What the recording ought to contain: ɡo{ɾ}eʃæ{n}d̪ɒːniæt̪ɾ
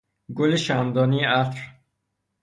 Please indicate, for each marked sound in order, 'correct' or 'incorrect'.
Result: incorrect, correct

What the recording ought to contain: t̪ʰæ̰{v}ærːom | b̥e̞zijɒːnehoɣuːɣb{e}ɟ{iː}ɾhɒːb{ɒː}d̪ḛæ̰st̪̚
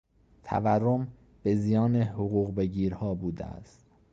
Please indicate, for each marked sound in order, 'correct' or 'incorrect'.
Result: correct, correct, correct, incorrect

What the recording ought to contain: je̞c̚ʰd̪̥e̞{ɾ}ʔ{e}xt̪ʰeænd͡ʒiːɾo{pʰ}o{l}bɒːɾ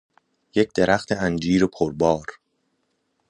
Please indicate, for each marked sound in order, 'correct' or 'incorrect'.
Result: correct, incorrect, correct, incorrect

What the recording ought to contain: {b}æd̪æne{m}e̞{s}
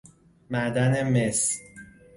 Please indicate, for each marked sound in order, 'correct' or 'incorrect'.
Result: incorrect, correct, correct

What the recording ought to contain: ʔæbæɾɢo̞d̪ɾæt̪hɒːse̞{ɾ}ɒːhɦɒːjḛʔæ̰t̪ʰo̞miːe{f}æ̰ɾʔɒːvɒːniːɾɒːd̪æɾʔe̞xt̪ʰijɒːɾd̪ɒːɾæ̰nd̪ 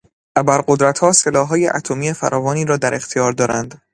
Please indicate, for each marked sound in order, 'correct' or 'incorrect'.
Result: incorrect, correct

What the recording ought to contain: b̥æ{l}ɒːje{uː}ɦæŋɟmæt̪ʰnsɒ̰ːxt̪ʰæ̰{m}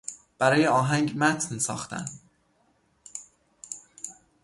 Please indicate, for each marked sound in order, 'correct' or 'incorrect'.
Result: incorrect, incorrect, incorrect

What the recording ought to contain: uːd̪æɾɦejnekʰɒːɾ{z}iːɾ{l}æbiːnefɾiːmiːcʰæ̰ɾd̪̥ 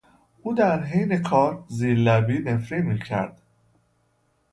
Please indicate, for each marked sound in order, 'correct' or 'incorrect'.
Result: correct, correct

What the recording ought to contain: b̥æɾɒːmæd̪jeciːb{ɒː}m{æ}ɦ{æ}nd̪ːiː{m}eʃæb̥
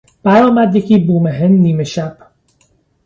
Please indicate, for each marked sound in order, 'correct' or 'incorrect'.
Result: incorrect, incorrect, incorrect, correct

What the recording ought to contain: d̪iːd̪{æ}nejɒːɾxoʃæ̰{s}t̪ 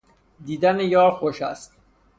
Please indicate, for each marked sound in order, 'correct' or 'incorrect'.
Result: correct, correct

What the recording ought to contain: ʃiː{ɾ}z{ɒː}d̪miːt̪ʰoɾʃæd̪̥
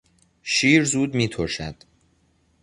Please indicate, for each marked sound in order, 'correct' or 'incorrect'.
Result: correct, incorrect

